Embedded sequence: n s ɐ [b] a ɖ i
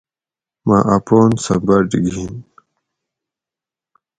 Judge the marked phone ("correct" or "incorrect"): correct